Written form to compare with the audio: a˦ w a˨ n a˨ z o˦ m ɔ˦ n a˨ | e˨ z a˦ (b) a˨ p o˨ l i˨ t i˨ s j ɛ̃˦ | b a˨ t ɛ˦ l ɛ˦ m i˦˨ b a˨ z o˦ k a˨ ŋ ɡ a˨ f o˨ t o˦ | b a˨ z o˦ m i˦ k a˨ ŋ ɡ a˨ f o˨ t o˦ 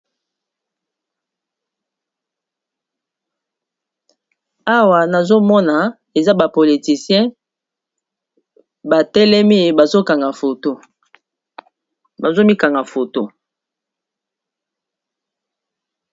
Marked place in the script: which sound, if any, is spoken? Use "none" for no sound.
b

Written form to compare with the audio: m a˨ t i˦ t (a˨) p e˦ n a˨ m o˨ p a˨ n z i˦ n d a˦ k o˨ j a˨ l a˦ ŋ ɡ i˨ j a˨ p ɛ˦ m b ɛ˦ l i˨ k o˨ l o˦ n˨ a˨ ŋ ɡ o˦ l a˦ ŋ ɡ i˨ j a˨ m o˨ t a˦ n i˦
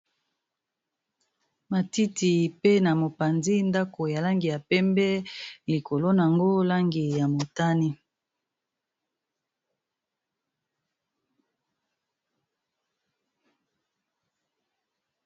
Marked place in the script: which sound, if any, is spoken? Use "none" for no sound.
i˨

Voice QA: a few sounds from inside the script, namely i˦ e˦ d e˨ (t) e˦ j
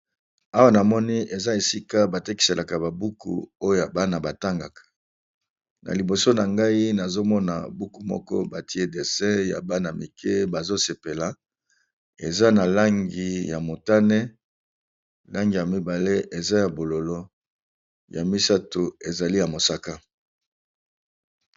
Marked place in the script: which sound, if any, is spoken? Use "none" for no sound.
s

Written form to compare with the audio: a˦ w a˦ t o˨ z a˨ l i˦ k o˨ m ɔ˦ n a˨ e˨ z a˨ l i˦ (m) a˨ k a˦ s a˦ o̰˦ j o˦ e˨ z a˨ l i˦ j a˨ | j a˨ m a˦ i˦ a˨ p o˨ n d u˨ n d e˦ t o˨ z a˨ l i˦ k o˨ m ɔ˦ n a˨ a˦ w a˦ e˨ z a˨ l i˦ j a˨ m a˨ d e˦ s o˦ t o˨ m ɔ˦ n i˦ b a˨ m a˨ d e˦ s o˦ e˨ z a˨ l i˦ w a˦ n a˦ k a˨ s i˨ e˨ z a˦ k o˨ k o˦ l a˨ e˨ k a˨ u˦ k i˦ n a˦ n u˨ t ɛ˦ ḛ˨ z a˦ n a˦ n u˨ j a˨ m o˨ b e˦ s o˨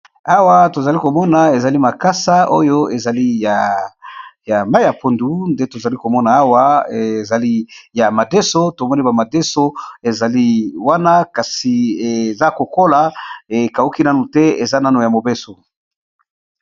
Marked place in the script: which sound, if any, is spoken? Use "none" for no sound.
m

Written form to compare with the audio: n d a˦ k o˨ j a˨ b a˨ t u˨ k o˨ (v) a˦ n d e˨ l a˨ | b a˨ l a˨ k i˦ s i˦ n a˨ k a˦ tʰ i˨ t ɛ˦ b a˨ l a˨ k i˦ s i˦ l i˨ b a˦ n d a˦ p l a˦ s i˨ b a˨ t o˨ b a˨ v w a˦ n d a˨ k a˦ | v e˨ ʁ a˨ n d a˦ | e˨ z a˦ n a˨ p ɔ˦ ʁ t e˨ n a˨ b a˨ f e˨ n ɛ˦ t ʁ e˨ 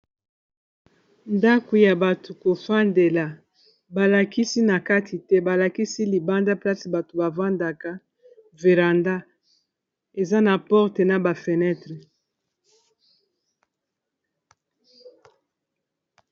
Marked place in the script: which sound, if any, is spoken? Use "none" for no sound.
f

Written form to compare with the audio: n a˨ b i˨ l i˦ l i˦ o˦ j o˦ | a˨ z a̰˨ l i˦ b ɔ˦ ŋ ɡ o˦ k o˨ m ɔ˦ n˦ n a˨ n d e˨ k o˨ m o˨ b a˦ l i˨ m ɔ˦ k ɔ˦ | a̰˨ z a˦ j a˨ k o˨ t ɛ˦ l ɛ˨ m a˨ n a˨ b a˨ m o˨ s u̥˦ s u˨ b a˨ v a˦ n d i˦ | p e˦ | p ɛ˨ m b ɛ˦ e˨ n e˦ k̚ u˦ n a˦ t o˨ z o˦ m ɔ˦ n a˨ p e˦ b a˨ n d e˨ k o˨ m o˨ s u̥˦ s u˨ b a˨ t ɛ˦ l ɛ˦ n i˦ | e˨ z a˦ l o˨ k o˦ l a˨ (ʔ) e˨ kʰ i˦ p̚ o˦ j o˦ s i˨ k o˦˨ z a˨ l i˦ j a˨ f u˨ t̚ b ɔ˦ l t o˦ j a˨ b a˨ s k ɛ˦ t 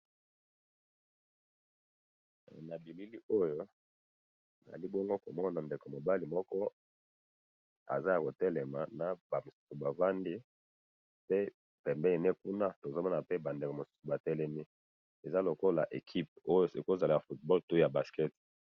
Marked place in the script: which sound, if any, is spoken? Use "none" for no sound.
ʔ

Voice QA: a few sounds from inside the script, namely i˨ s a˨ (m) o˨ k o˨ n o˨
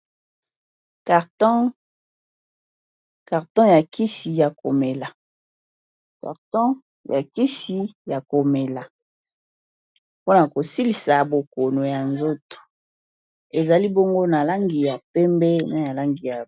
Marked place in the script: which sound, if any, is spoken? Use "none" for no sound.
b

